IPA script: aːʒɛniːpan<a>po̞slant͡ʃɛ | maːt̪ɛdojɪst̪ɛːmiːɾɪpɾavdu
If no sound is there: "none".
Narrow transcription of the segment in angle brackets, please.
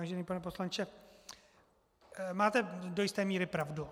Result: ɛ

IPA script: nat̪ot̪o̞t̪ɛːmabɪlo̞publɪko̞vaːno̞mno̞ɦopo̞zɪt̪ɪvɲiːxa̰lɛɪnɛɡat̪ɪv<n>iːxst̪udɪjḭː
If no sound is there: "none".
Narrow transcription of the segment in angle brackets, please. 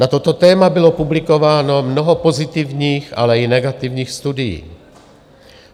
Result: ɲ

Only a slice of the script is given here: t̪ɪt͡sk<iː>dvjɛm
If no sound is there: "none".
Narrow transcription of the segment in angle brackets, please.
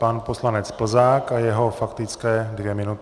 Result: ɛː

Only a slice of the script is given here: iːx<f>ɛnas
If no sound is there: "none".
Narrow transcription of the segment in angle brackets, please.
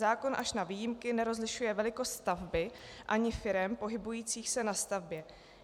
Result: s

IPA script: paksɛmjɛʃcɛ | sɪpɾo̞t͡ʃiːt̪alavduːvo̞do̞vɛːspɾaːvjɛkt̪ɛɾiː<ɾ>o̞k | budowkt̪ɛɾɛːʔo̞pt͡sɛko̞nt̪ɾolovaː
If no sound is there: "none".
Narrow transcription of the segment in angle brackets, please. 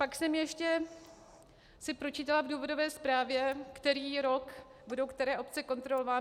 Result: ɾ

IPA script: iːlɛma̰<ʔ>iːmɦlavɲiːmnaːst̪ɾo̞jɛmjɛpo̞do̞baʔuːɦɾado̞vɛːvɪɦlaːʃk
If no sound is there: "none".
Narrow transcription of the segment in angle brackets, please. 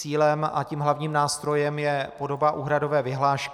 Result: c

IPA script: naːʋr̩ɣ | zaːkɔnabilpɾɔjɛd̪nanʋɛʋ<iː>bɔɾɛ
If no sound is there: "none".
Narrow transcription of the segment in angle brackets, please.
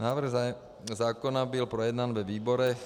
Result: iː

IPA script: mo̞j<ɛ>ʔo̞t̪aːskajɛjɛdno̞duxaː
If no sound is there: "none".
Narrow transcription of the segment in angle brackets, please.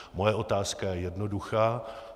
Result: ɛ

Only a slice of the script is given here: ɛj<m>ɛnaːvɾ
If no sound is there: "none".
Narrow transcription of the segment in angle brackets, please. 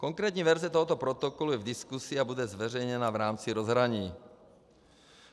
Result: ɲ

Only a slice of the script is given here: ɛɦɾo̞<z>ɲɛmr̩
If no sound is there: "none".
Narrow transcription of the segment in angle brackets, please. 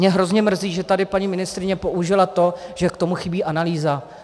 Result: z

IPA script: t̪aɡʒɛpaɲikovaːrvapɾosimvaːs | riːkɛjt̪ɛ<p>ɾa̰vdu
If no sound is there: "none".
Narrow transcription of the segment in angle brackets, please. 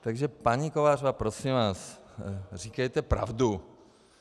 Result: p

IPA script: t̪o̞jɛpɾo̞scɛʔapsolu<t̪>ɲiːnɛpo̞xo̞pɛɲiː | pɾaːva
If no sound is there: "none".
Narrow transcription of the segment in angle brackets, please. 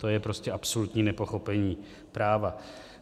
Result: t̪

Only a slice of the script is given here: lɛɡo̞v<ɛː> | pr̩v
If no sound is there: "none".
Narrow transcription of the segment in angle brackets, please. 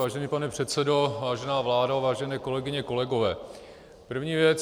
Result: ɛː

